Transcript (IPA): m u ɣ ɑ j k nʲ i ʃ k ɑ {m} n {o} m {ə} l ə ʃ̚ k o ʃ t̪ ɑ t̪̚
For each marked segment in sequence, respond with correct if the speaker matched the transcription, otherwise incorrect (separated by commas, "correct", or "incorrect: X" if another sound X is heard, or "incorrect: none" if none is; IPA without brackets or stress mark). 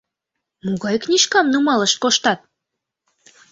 correct, incorrect: u, incorrect: ɑ